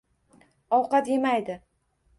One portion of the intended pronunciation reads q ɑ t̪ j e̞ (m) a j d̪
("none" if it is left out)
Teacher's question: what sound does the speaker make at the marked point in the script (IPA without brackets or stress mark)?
m